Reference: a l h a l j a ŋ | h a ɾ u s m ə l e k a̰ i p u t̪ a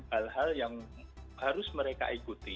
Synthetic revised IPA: a l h a l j a ŋ | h a ɾ ʊ s m ə ɾ e k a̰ i k u t̪ i